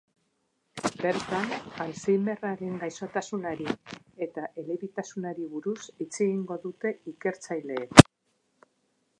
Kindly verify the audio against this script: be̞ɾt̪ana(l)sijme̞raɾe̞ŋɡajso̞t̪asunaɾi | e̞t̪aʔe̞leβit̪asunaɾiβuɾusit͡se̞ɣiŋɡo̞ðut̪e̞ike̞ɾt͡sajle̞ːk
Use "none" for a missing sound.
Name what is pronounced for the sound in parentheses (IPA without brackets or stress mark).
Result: l